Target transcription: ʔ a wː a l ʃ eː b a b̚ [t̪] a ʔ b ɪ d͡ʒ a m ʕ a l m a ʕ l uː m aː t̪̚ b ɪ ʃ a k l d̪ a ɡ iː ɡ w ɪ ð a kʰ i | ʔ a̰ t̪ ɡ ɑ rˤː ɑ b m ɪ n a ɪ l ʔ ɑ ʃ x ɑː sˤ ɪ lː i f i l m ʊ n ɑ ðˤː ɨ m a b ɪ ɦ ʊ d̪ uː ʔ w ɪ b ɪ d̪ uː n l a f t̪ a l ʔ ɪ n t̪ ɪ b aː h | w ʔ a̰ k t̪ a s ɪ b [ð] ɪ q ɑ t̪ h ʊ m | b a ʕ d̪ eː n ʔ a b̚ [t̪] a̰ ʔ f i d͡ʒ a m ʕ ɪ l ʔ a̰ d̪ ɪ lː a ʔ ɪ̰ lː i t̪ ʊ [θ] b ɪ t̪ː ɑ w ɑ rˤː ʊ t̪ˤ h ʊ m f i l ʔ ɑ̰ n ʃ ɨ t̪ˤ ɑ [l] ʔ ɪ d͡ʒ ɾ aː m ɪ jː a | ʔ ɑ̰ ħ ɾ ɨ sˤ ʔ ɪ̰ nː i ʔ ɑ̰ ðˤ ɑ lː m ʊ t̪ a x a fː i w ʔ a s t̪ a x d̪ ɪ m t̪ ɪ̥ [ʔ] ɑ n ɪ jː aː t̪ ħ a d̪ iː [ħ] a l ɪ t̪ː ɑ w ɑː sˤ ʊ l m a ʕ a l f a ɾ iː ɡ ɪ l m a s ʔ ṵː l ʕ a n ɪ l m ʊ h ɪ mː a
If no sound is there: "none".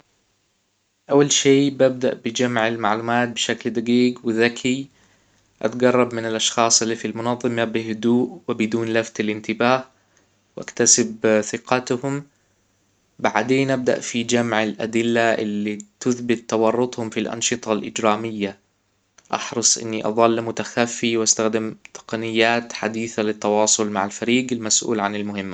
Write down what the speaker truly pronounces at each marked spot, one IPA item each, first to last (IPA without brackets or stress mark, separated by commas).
d̪, θ, d̪, θ, l, q, θ